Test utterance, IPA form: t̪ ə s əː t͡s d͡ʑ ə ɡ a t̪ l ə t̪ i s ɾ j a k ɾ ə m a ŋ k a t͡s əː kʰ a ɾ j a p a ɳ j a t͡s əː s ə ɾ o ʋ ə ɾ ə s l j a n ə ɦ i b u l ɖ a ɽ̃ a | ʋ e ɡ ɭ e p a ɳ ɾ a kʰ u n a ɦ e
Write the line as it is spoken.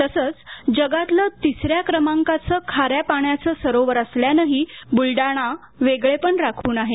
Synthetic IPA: t̪ ə s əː t͡s d͡ʑ ə ɡ a t̪ l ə t̪ i s ɾ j a k ɾ ə m a ŋ k a t͡s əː kʰ a ɾ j a p a ɳ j a t͡s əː s ə ɾ o ʋ ə ɾ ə s l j a n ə ɦ i b u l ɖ a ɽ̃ a | ʋ e ɡ ɭ e p ə ɳ ɾ a kʰ uː n a ɦ e